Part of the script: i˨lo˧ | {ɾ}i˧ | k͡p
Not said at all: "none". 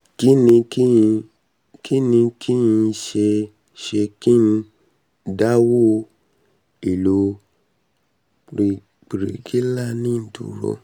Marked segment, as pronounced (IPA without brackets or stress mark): ɾ